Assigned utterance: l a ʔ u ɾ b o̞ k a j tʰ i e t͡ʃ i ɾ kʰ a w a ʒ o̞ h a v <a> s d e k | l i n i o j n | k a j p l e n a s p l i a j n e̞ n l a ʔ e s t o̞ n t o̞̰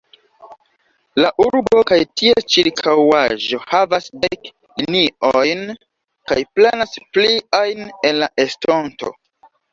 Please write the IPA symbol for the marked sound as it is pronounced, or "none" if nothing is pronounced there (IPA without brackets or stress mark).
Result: a